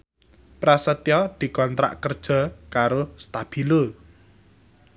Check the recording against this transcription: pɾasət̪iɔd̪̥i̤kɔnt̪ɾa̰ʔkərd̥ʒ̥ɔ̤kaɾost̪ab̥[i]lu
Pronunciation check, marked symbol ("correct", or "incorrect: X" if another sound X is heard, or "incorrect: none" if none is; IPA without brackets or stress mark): correct